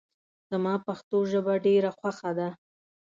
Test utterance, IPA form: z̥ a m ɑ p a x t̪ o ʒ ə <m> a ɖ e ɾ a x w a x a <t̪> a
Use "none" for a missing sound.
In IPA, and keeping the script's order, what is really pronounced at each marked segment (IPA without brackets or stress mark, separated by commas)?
b, d̪